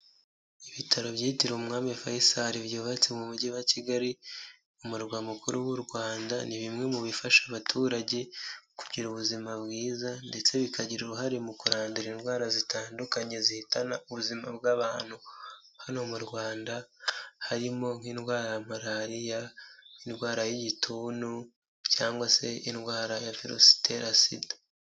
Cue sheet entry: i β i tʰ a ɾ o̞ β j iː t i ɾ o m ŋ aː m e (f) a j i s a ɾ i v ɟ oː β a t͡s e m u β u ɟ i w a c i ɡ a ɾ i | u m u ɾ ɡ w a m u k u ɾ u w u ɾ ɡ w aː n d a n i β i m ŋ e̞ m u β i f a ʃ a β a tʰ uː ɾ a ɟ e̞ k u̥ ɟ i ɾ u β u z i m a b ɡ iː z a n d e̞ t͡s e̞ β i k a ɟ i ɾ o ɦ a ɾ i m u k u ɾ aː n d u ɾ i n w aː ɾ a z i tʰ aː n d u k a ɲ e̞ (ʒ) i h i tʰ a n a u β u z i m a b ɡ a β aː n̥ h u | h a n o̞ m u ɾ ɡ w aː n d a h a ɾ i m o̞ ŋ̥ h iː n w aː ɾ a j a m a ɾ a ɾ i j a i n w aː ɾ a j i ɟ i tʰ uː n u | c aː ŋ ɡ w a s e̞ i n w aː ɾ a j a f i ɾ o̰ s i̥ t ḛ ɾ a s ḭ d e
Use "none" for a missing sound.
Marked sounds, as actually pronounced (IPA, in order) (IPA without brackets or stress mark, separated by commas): f, z